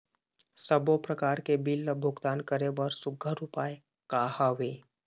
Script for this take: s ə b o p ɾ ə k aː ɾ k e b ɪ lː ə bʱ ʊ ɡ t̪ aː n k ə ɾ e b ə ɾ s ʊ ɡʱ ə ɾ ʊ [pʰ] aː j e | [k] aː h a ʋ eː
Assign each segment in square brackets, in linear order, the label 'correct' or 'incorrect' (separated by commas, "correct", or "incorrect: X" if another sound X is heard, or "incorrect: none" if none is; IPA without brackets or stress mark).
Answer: incorrect: p, correct